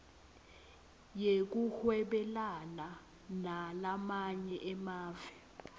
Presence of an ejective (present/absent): absent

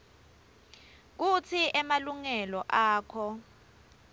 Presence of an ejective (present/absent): absent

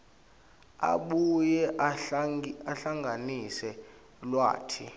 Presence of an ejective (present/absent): absent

